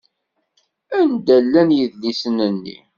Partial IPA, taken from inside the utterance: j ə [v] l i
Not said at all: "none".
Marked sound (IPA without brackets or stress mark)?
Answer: ð